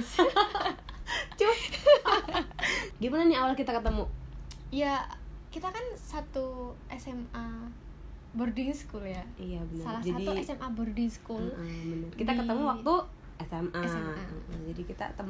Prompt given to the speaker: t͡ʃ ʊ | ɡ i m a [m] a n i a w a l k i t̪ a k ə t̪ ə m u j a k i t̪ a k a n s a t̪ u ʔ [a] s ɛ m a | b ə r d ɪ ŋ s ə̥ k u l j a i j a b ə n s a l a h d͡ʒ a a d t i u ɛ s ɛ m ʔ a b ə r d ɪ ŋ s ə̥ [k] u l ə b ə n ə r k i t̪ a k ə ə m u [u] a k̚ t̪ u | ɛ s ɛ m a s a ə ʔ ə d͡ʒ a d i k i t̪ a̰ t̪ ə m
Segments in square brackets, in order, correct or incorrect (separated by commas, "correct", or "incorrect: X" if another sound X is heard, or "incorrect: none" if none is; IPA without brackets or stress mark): incorrect: n, incorrect: ɛ, correct, incorrect: w